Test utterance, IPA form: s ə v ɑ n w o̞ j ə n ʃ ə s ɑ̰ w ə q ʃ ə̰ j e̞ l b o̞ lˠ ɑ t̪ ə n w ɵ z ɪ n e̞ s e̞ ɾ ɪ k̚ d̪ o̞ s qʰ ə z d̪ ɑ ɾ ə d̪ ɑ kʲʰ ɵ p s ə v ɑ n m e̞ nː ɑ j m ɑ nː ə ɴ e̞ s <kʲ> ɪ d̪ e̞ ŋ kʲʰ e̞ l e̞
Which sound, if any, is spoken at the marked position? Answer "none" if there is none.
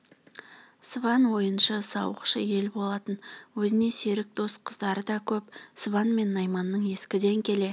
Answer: kʲ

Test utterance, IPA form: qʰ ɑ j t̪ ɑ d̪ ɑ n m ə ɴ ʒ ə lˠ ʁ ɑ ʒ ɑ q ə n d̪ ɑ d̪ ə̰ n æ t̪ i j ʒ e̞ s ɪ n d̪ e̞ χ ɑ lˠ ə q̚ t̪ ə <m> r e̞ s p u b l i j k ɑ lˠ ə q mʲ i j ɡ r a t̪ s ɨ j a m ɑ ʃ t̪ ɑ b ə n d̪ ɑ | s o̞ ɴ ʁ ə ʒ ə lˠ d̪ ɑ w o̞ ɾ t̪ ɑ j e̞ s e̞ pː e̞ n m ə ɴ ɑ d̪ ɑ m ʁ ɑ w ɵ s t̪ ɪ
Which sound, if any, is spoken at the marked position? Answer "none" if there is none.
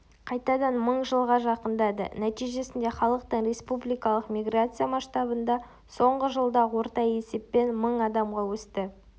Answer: ɴ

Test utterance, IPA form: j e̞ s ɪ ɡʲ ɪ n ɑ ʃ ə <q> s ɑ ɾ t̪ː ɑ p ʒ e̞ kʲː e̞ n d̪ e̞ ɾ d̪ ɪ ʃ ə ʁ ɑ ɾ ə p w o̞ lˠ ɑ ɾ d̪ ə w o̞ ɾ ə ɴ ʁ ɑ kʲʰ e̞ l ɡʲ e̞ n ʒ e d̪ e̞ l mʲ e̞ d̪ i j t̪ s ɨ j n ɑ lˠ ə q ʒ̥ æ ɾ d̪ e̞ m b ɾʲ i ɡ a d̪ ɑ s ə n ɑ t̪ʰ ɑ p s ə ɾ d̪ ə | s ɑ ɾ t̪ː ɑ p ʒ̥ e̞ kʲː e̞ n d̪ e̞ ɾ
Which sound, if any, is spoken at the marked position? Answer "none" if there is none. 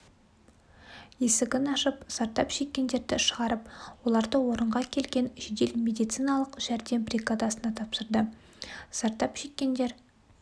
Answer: p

